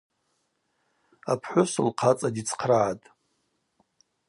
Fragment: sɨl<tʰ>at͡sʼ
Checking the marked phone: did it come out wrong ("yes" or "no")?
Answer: yes